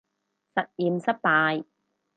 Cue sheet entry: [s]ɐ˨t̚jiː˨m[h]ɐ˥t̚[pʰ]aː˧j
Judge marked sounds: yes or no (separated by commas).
yes, no, no